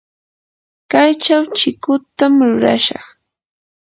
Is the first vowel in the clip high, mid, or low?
low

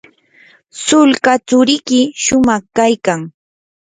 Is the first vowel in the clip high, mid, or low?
high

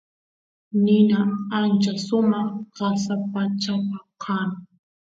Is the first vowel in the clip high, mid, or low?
high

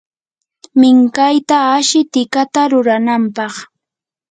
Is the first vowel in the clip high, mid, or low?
high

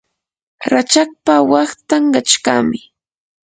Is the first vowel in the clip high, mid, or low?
low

